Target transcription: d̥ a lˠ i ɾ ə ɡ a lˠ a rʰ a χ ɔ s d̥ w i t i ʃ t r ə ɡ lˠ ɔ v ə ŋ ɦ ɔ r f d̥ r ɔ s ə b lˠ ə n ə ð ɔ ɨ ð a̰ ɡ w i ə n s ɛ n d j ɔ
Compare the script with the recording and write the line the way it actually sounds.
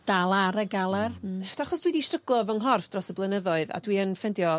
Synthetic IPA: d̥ a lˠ a ɾ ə ɡ a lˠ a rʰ a χ ɔ s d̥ w i d i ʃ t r ə ɡ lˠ ɔ v ə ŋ ɦ ɔ r f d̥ r ɔ s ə b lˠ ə n ə ð ɔ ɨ ð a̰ d w i ə n f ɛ n d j ɔ

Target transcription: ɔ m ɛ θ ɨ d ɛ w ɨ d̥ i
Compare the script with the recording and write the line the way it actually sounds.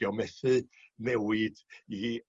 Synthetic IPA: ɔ m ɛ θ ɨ n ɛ w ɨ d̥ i

